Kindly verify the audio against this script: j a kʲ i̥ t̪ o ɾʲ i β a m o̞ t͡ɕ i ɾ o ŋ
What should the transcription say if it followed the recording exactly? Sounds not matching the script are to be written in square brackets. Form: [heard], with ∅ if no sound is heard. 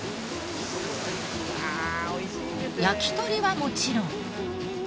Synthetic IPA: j a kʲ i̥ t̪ o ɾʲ i β a m o̞ t͡ɕ i ɾ [õ] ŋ